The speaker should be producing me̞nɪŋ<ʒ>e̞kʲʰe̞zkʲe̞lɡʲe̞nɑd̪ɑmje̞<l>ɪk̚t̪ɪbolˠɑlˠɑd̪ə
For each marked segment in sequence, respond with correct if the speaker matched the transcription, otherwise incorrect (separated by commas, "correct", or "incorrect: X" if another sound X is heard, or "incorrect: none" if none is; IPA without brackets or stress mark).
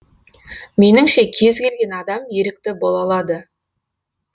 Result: incorrect: ʃ, incorrect: ɾ